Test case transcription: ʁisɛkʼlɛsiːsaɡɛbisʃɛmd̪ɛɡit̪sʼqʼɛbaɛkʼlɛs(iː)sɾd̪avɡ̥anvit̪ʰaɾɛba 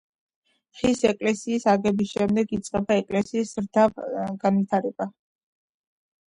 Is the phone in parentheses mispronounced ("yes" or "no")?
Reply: no